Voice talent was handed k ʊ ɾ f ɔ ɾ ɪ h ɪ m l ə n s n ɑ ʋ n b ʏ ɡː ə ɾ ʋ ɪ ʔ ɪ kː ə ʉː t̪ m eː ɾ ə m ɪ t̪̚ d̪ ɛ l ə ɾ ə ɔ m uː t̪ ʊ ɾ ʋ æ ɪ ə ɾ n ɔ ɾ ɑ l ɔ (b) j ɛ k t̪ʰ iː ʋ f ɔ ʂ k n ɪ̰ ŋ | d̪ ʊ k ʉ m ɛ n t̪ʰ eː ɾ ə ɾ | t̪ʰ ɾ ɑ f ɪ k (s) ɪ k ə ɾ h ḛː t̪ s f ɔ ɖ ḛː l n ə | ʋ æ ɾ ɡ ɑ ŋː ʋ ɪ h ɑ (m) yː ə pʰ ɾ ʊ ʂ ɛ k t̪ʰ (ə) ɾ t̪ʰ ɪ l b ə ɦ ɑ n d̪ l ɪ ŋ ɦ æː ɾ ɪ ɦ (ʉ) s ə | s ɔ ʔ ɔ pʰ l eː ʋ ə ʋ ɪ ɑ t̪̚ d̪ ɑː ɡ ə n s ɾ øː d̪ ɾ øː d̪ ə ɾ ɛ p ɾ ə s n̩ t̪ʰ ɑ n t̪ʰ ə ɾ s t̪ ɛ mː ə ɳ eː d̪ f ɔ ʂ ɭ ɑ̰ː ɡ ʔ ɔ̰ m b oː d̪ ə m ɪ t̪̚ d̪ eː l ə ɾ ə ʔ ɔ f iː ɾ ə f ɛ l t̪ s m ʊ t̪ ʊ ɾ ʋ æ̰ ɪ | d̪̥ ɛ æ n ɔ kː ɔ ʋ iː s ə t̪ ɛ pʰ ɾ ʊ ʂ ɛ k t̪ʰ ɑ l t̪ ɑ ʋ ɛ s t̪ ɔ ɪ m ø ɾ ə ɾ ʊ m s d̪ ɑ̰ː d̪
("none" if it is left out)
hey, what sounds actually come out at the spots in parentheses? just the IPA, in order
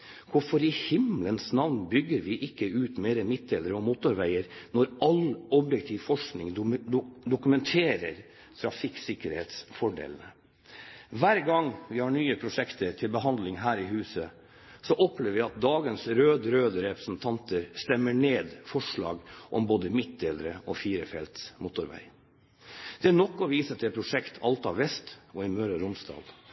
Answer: b, s, ɳ, ə, ʉː

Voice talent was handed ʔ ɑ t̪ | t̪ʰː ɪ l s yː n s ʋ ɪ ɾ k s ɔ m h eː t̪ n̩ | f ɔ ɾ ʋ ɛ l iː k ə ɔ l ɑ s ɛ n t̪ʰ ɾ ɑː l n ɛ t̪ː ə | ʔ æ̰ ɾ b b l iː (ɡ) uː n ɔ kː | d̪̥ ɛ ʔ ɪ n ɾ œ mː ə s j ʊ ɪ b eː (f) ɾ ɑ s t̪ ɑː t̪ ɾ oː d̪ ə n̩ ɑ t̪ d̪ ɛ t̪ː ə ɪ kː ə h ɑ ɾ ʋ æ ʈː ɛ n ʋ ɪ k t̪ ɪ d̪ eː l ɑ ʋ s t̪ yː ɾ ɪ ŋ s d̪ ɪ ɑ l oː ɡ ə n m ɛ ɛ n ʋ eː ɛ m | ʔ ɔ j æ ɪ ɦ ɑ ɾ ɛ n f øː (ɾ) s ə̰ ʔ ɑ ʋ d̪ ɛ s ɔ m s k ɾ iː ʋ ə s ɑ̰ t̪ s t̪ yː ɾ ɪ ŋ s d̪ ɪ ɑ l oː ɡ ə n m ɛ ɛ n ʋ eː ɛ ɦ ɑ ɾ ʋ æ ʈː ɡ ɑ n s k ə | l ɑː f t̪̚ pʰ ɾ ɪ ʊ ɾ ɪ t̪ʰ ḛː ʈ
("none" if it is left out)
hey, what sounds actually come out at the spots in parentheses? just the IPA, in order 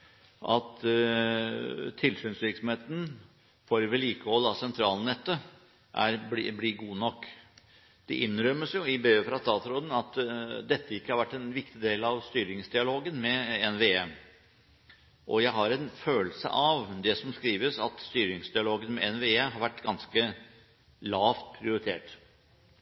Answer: ɡ, f, l

